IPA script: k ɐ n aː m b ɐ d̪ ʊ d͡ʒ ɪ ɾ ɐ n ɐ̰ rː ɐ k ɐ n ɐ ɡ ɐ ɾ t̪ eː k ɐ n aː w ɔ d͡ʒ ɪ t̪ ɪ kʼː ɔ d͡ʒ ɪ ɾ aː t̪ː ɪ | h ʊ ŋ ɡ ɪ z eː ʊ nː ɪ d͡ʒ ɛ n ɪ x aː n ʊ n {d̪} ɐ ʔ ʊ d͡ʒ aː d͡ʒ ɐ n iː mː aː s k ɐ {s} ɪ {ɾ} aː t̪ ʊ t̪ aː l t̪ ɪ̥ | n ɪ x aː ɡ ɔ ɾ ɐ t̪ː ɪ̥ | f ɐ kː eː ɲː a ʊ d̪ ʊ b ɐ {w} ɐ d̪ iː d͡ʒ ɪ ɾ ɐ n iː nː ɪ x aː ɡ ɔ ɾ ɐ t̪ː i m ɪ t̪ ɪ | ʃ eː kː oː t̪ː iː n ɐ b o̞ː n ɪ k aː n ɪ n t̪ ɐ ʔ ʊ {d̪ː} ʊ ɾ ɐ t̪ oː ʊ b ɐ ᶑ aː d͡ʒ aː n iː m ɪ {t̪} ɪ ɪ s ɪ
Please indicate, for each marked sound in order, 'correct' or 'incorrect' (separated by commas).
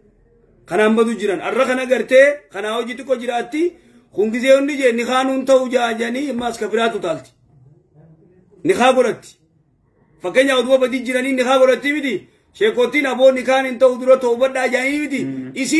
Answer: incorrect, incorrect, correct, incorrect, incorrect, correct